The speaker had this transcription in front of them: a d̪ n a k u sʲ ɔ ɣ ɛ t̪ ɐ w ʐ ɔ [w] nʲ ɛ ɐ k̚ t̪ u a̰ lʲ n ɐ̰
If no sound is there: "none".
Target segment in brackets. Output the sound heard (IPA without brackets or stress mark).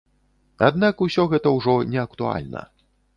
none